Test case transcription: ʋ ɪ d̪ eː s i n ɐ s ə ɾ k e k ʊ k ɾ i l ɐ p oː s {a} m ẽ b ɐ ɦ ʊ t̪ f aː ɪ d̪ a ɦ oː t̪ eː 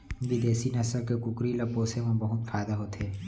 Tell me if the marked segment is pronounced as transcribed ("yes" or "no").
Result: no